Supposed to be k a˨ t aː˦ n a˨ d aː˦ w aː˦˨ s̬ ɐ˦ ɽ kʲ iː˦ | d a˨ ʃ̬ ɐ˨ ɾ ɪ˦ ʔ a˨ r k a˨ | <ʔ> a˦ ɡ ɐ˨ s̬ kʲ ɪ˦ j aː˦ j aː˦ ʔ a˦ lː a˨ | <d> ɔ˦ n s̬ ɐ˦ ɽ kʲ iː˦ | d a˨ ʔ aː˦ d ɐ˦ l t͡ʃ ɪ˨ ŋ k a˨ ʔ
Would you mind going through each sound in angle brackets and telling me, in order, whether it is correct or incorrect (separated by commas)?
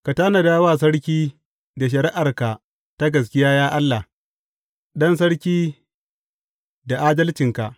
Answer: incorrect, incorrect